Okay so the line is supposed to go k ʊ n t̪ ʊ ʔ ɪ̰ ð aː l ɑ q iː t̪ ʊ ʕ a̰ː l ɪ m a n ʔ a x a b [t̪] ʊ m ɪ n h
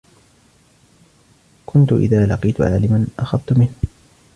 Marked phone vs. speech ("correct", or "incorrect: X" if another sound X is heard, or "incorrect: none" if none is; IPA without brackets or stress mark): correct